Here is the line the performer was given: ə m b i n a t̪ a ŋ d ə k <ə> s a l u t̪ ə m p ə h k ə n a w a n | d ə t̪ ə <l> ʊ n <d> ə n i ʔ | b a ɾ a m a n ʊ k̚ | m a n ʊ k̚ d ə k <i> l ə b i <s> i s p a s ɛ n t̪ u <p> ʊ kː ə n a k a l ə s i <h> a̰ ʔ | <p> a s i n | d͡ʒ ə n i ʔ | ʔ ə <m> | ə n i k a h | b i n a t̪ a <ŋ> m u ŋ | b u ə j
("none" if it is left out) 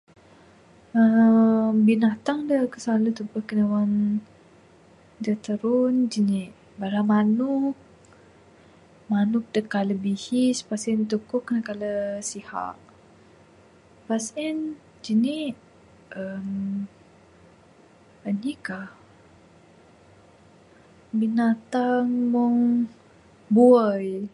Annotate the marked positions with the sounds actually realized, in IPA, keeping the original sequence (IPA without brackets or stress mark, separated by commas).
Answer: ə, ɾ, d͡ʒ, a, h, k, h, p, m, ŋ